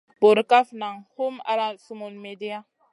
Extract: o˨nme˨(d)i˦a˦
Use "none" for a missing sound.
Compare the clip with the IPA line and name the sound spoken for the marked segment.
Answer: d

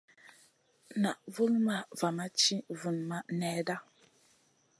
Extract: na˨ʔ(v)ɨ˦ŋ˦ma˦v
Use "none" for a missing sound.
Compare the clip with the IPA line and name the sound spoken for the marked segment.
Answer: v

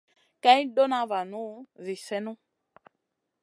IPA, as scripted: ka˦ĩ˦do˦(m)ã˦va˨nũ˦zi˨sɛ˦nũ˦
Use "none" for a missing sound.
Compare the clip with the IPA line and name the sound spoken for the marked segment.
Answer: n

